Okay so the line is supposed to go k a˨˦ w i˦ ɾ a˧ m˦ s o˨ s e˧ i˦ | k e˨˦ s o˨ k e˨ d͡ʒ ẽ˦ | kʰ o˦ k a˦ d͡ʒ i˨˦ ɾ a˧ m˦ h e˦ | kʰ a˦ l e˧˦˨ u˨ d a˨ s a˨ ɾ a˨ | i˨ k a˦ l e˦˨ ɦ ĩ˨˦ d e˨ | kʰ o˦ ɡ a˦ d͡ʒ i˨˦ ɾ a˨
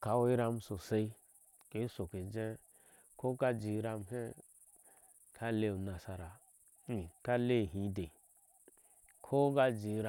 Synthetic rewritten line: k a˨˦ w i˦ ɾ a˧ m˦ s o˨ s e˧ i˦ | k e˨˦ s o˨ k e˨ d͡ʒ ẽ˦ | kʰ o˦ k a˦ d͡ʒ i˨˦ ɾ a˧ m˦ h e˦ | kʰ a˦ l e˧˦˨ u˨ n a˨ s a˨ ɾ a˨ | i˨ k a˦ l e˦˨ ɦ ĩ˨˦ d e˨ | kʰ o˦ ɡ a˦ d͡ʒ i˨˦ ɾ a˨

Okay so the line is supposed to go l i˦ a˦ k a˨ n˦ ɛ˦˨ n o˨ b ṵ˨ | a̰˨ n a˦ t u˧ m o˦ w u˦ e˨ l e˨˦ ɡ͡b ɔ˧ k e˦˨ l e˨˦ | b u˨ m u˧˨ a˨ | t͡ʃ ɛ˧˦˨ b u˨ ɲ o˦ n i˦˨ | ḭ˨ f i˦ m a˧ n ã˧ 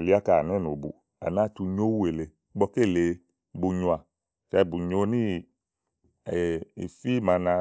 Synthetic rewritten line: l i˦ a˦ k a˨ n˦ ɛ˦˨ n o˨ b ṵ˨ | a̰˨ n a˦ t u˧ ɲ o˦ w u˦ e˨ l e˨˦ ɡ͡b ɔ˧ k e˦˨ l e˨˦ | b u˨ ɲ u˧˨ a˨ | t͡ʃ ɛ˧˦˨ b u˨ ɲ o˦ n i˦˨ | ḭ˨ f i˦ m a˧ n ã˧

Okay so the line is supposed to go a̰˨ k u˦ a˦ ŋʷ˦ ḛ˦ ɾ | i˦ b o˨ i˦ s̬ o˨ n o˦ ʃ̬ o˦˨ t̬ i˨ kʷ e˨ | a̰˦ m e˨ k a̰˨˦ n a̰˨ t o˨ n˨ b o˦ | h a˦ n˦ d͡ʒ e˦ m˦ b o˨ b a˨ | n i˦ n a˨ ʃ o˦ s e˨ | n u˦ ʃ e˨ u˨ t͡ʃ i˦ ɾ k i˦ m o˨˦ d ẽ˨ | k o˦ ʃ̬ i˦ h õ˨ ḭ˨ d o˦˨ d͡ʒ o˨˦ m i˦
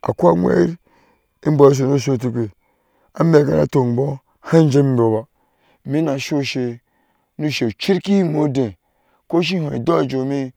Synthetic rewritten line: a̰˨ k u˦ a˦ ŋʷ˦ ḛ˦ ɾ | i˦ b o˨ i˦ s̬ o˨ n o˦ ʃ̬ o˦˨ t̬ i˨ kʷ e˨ | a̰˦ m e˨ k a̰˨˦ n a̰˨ t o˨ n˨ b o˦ | h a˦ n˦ d͡ʒ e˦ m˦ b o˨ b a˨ | m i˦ n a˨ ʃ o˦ ʃ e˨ | n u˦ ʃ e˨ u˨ t͡ʃ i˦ ɾ k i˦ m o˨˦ d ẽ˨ | k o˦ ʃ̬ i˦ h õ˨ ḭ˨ d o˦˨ d͡ʒ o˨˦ m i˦

